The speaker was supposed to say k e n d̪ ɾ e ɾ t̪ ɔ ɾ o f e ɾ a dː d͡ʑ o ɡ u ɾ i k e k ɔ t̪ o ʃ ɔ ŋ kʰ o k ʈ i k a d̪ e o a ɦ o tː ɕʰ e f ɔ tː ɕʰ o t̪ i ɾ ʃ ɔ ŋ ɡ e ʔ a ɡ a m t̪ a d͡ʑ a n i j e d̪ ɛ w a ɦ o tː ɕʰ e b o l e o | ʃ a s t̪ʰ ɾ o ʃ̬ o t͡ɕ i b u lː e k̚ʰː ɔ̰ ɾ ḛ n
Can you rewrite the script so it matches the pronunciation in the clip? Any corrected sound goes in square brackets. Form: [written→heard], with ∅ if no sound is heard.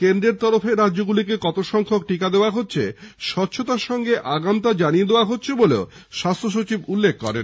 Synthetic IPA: k e n d̪ ɾ e ɾ t̪ ɔ ɾ o f e ɾ a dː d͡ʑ o ɡ u [ɾ→l] i k e k ɔ t̪ o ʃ ɔ ŋ kʰ o k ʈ i k a d̪ e o a ɦ o tː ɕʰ e [f→ʃ] ɔ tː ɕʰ o t̪ [i→a] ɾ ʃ ɔ ŋ ɡ e ʔ a ɡ a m t̪ a d͡ʑ a n i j e d̪ [ɛ→e] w a ɦ o tː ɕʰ e b o l e o | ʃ a s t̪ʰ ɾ o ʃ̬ o t͡ɕ i b u lː e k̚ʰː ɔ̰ ɾ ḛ n

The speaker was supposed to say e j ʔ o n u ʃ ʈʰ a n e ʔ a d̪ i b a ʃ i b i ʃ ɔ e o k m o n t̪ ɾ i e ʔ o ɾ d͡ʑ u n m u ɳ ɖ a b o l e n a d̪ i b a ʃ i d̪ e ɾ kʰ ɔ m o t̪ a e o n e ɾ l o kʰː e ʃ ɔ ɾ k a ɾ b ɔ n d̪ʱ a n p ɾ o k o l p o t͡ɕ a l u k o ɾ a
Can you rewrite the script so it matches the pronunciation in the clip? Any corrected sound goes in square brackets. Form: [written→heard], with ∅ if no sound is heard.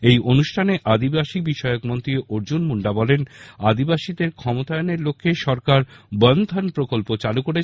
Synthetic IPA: e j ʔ o n u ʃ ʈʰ a n e ʔ a d̪ i b a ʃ i b i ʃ ɔ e o k m o n t̪ ɾ i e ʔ o ɾ d͡ʑ u n m u ɳ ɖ a b [o→ɔ] l e n a d̪ i b a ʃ i d̪ e ɾ kʰ ɔ m o t̪ a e o n e ɾ l o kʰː e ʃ ɔ ɾ k a ɾ b ɔ n d̪ʱ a n p ɾ o k o l p o t͡ɕ a l u k o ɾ [a→e]

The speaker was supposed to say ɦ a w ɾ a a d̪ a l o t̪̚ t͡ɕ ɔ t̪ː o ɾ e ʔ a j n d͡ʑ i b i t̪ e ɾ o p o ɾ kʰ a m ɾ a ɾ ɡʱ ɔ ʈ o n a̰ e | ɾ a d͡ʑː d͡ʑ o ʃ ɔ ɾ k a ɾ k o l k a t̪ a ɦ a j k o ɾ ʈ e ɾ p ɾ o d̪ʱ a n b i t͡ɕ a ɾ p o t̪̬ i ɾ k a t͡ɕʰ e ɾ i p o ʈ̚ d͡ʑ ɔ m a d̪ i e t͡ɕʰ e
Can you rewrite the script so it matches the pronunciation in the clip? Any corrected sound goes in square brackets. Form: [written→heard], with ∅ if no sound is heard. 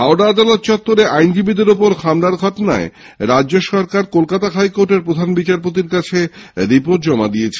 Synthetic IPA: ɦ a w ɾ a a d̪ a l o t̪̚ t͡ɕ ɔ t̪ː o ɾ e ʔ a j n d͡ʑ i b i [t̪→d̪] e ɾ o p o ɾ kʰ a m ɾ a ɾ ɡʱ ɔ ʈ o n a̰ e | ɾ a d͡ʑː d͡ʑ o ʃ ɔ ɾ k a ɾ k o l k a t̪ a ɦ a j k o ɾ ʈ e ɾ p ɾ o d̪ʱ a n b i t͡ɕ a ɾ p o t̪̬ i ɾ k a t͡ɕʰ e ɾ i p o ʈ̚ d͡ʑ ɔ m a d̪ i e t͡ɕʰ e

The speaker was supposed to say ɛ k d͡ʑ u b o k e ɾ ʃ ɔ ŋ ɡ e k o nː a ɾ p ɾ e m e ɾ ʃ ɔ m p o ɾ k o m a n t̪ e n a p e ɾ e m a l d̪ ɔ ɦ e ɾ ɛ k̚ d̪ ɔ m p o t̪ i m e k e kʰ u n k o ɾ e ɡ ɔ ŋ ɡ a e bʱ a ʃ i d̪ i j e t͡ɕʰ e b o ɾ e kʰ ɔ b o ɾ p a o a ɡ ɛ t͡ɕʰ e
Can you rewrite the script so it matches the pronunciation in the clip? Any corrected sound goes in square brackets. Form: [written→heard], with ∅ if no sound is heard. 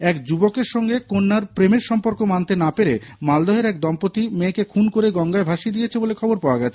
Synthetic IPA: ɛ k d͡ʑ u b o k e ɾ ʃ ɔ ŋ ɡ e k o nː a ɾ p ɾ e m e ɾ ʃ ɔ m p o ɾ k o m a n t̪ e n a p e ɾ e m a l d̪ ɔ ɦ e ɾ ɛ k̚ d̪ ɔ m p o t̪ i m e k e kʰ u n k o ɾ e ɡ ɔ ŋ ɡ a e bʱ a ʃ i d̪ i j e t͡ɕʰ e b o [ɾ→l] e kʰ ɔ b o ɾ p a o a ɡ ɛ t͡ɕʰ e

